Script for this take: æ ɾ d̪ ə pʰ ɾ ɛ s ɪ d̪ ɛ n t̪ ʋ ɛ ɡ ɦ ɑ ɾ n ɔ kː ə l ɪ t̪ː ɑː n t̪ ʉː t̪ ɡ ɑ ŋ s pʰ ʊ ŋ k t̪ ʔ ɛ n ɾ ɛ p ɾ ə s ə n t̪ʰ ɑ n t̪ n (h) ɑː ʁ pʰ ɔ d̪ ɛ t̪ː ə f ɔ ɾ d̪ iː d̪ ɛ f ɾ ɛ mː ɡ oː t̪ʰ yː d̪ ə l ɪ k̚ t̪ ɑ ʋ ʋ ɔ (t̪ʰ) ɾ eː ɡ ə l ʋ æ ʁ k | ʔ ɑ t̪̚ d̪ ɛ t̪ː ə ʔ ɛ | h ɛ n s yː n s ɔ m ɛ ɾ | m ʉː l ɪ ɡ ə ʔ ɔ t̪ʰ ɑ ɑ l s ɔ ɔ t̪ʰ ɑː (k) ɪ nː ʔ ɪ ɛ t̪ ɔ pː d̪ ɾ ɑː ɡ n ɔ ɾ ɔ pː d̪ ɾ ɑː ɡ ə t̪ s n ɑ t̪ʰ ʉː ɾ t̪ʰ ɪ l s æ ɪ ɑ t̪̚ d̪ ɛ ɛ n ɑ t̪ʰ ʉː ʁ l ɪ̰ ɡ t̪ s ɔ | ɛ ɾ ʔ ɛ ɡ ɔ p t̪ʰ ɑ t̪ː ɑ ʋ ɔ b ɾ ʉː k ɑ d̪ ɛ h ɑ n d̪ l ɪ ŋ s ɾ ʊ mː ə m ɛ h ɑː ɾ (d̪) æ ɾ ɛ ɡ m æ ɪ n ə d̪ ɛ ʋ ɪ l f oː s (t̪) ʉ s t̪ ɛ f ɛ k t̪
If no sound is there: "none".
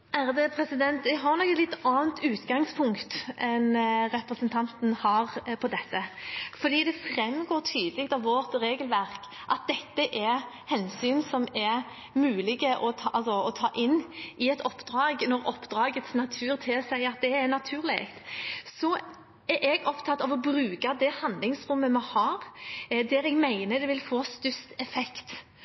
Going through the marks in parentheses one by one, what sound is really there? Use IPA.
h, t̪, ʔ, d̪, t̪

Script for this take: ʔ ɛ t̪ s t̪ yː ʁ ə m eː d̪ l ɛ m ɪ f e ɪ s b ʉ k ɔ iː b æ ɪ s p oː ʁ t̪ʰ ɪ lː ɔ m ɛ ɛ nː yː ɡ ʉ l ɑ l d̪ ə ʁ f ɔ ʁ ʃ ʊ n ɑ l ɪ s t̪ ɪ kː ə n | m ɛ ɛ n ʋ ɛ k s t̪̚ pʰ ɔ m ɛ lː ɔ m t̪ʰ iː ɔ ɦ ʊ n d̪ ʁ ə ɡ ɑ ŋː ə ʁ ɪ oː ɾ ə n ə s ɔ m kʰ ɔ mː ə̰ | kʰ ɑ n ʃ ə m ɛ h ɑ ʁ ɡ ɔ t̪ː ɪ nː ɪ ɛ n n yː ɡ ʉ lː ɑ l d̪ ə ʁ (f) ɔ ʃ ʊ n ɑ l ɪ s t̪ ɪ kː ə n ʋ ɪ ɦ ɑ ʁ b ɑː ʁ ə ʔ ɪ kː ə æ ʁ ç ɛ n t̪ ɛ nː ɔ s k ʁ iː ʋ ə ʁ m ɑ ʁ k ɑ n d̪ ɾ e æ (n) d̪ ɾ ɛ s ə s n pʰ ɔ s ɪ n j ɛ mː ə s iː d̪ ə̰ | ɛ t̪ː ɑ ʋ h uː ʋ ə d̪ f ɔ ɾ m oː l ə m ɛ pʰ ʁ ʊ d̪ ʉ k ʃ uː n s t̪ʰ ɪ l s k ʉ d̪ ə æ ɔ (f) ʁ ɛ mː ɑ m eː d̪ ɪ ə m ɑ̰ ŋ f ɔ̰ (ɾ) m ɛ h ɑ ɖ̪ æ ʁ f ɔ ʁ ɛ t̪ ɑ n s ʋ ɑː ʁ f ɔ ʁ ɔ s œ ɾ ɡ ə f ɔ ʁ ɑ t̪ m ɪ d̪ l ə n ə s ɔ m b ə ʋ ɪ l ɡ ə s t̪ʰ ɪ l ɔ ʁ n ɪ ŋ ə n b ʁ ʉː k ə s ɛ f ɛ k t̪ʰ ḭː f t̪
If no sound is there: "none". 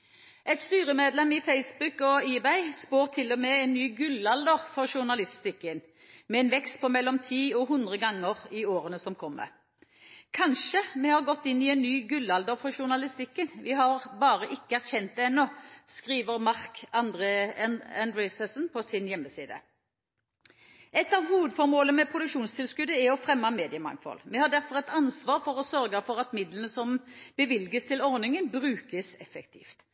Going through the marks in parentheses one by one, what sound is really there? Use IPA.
f, n, f, l

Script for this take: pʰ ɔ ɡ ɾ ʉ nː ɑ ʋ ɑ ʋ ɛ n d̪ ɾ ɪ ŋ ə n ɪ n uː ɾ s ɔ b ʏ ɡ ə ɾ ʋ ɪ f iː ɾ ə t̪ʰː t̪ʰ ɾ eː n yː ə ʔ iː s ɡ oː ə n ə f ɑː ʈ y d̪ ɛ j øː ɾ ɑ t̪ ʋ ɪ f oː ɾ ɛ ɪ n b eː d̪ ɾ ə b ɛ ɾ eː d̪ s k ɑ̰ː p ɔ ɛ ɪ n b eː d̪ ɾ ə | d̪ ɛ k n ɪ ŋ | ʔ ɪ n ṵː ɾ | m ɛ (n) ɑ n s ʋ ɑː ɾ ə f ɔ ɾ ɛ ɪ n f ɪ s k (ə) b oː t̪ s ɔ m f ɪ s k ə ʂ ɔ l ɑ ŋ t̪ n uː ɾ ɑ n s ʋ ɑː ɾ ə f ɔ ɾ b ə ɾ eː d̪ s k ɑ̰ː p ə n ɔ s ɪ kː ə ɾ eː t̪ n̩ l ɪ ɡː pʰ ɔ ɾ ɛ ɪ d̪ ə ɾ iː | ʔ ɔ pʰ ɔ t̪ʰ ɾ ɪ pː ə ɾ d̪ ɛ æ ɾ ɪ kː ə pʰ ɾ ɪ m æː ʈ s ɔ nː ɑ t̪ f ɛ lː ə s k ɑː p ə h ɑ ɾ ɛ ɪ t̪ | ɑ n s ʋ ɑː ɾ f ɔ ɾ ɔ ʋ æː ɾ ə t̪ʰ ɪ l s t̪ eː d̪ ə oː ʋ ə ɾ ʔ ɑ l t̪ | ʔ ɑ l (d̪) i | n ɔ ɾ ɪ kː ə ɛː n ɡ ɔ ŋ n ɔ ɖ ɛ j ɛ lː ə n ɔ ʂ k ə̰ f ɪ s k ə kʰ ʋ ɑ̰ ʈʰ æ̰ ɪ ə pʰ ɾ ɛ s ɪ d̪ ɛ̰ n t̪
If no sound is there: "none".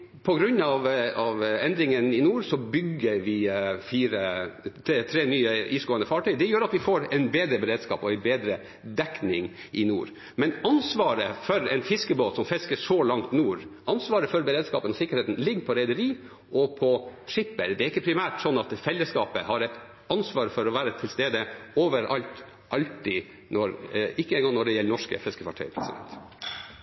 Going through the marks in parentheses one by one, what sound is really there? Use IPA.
n, ə, t̪

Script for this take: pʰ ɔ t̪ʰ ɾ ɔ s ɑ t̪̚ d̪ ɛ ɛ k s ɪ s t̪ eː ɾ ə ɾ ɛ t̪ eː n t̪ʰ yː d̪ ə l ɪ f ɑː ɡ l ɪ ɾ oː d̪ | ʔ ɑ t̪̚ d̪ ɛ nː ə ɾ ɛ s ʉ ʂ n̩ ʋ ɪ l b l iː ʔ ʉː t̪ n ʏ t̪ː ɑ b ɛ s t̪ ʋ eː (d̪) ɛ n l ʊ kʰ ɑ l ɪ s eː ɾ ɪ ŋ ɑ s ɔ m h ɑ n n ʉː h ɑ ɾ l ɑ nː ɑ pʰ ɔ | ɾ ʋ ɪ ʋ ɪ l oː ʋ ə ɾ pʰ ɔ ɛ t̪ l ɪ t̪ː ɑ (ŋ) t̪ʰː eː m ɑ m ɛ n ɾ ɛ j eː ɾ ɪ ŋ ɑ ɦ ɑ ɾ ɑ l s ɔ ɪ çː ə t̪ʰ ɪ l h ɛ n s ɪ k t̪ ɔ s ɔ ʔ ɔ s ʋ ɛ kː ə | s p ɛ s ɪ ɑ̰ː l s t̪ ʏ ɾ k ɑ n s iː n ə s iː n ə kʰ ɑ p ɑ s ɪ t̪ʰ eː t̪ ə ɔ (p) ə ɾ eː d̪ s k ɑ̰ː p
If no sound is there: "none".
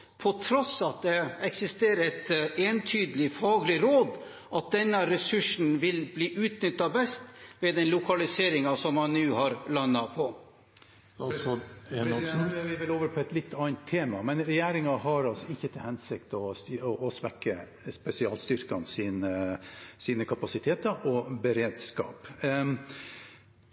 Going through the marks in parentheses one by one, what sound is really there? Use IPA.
d̪, n, b

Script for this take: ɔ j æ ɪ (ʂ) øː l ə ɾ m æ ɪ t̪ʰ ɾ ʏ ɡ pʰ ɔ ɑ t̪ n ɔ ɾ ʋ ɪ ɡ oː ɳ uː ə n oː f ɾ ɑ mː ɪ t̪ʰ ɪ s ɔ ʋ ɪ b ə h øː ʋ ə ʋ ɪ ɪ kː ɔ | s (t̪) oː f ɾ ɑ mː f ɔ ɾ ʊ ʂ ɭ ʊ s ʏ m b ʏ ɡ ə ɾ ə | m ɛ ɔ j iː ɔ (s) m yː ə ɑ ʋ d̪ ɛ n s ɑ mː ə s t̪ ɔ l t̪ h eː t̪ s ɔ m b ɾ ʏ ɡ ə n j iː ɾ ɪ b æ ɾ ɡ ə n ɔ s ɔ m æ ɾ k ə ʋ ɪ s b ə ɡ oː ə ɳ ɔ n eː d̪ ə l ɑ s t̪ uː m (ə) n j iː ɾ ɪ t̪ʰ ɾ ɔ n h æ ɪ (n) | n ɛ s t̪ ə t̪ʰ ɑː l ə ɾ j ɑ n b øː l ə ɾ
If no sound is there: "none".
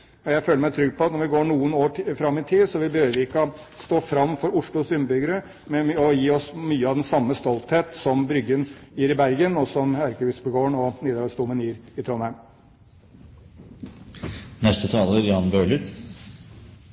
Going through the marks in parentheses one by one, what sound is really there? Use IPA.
f, t̪, s, ə, m

